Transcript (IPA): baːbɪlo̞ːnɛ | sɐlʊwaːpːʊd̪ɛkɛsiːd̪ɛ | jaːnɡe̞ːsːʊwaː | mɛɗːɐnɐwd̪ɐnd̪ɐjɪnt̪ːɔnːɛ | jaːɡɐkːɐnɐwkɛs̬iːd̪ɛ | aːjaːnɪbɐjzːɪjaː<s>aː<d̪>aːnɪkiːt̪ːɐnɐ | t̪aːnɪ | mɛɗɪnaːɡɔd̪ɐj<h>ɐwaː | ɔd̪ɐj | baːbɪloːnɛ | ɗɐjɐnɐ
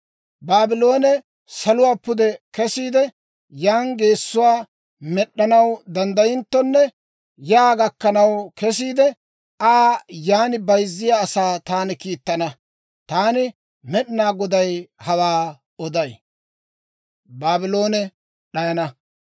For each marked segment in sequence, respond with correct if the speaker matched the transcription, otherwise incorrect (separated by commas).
correct, incorrect, correct